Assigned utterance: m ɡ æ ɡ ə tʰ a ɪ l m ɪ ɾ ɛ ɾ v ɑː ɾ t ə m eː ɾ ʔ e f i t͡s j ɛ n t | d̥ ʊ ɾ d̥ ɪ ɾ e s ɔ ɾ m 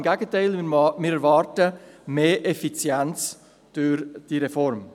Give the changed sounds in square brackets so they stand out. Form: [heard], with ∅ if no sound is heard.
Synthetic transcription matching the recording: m ɡ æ ɡ ə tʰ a ɪ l m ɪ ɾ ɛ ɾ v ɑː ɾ t ə m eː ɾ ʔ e f i t͡s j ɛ n [t͡s] | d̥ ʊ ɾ d̥ [i] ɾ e [f] ɔ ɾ m